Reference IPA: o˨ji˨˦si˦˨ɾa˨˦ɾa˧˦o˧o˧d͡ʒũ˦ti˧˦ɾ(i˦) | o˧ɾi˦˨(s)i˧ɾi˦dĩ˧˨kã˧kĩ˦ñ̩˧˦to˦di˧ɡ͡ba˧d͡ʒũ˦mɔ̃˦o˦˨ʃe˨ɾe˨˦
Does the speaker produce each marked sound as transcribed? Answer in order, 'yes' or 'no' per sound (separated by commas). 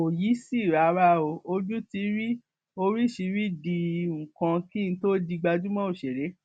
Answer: yes, no